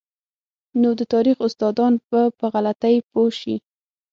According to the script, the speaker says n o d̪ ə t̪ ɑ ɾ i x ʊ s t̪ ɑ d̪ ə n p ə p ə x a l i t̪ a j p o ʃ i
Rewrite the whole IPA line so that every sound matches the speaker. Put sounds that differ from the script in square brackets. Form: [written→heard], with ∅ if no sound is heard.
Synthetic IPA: n o d̪ ə t̪ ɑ ɾ i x ʊ s t̪ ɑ d̪ [ə→ɑ] n p ə p ə [x→ɣ] a l [i→a] t̪ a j p o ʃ i